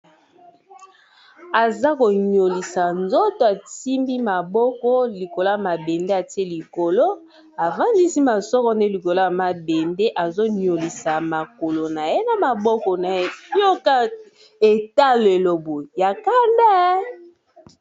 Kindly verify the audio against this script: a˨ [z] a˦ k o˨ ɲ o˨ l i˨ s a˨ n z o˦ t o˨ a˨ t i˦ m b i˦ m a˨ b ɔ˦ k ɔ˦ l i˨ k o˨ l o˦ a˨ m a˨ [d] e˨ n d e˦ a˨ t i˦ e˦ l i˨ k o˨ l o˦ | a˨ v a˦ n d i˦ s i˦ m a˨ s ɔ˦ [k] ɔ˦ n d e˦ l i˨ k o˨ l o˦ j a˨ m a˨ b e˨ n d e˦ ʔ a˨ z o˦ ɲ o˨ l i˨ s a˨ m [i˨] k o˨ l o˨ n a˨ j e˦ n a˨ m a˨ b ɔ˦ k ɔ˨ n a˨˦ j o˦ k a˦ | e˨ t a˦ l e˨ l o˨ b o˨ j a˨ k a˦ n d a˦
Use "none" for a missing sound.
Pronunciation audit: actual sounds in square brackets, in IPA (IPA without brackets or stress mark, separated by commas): z, b, k, a˨